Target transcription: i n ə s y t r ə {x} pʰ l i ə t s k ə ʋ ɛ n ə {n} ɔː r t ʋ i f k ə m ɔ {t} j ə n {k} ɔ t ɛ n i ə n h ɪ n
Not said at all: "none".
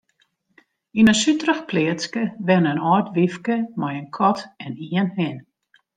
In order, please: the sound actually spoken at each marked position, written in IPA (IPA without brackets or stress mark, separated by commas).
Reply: x, n, none, kʰ